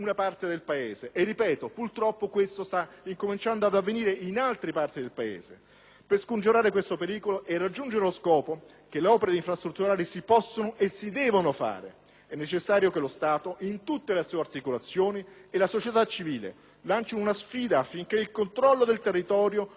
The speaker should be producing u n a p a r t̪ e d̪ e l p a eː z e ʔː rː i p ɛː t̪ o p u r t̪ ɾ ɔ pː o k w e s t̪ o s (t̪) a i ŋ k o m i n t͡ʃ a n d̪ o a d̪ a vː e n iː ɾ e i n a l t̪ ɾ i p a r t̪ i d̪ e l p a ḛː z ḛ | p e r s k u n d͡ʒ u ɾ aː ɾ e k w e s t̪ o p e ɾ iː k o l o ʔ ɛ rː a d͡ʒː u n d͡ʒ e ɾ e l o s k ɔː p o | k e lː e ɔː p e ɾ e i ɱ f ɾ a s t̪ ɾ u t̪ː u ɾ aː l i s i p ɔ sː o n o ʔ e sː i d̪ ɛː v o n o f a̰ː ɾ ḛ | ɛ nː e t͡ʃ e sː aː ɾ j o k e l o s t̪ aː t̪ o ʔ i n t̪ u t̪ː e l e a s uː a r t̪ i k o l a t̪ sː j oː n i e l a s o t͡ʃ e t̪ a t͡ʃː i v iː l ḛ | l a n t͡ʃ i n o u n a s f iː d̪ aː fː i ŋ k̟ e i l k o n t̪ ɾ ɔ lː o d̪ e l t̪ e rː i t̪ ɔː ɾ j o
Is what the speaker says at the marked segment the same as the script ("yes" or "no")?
yes